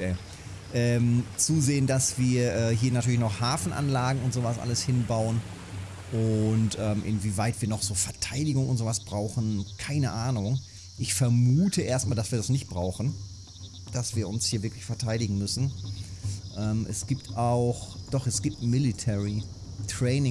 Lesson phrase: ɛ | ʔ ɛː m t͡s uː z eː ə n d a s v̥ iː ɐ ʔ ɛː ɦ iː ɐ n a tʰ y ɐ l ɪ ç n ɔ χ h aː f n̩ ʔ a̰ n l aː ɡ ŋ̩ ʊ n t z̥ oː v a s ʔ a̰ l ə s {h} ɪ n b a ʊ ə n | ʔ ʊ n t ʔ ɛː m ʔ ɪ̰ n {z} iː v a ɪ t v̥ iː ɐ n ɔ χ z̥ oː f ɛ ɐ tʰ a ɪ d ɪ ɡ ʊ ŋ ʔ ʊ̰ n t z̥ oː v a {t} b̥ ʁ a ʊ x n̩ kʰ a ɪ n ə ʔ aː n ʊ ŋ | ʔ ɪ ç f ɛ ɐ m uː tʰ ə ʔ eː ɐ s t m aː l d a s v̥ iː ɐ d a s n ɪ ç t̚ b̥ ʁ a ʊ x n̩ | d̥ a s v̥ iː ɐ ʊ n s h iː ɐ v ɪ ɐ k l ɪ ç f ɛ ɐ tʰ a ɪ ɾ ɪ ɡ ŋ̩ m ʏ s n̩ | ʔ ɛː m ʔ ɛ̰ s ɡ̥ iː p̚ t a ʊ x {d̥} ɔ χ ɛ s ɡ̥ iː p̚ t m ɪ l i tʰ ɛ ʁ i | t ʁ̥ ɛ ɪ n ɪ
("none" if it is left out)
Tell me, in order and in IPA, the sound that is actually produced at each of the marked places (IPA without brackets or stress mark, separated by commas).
h, v, s, d̥